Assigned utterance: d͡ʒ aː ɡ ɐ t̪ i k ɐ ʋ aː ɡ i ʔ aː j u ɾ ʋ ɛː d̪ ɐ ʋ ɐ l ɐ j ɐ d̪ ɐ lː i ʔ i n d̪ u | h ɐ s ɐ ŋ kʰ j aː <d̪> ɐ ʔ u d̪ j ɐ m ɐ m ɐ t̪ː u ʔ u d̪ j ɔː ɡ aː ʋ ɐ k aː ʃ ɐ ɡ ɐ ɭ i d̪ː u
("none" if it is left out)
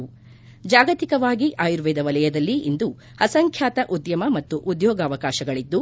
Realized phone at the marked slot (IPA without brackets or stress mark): t̪